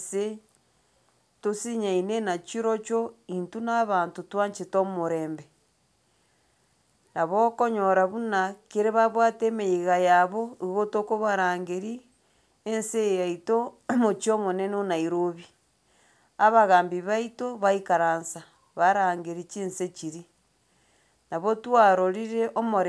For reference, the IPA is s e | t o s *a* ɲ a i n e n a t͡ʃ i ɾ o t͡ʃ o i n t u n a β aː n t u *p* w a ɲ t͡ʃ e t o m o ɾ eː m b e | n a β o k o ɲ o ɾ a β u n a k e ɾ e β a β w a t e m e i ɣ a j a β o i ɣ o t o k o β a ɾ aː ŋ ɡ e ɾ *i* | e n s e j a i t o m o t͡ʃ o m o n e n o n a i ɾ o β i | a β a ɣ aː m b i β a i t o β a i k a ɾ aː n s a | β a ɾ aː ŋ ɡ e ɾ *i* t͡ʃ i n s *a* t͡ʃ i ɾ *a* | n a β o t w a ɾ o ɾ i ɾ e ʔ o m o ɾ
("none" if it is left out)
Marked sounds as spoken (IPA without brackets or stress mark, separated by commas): i, t, i, i, e, i